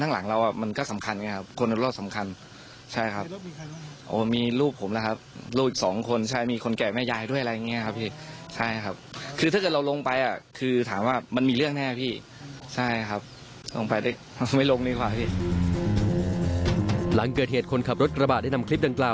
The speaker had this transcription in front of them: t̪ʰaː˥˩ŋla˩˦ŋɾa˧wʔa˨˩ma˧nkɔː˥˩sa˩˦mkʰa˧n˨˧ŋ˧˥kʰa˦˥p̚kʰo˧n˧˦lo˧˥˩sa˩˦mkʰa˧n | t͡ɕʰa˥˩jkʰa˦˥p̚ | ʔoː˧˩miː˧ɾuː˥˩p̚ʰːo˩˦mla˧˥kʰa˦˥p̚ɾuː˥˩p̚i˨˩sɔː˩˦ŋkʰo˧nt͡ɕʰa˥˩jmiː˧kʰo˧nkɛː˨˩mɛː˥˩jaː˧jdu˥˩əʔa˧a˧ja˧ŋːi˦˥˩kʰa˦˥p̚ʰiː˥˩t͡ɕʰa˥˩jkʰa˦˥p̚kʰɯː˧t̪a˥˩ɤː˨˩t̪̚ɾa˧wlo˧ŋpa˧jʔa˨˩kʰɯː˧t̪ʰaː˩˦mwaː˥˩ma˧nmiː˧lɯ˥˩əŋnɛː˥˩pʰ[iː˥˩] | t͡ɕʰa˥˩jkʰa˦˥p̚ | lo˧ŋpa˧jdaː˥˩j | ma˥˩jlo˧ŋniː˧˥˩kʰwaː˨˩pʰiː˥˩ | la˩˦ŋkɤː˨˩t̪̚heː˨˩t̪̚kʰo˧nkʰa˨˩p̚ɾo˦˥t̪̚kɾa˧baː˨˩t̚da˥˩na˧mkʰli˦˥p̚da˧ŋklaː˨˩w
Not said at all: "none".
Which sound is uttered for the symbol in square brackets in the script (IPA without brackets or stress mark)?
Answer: iː˥˩